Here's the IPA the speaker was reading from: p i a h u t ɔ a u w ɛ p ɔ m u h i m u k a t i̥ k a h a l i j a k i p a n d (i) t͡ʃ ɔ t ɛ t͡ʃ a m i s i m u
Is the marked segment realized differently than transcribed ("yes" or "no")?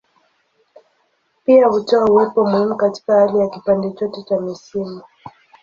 yes